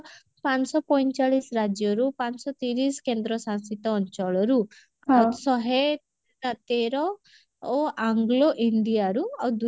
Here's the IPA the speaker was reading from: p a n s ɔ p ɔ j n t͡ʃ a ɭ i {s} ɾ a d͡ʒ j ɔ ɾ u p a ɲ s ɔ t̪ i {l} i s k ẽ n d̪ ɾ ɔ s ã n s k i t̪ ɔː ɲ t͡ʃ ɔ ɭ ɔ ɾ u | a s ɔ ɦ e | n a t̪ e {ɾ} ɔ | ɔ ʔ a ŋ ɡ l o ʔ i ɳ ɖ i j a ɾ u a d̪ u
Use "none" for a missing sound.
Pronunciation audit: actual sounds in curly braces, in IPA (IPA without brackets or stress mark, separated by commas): s, ɾ, ɾ